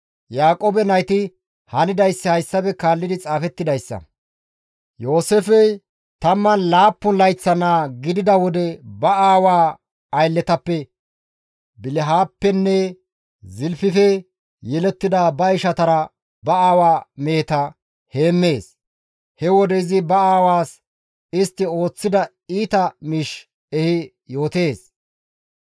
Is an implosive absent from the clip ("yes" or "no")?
yes